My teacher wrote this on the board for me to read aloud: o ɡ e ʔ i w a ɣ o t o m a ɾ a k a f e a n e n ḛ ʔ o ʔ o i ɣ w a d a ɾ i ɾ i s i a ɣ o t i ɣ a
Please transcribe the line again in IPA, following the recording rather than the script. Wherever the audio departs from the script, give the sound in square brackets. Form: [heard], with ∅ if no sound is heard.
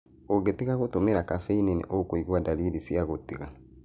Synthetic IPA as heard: o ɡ e [t] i [ɣ] a ɣ o t o m [e] ɾ a k a f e [i] n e n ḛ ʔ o [k] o i ɣ w a d a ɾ i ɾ i s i a ɣ o t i ɣ a